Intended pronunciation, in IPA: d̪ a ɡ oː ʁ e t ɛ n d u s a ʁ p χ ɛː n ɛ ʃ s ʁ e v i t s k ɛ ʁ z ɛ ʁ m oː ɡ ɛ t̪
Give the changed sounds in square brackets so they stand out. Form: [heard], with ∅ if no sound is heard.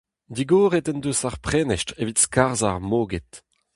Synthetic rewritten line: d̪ [i] ɡ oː ʁ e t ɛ n d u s a ʁ p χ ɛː n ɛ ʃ [t] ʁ e v i t s k [a] ʁ z [a] ʁ m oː ɡ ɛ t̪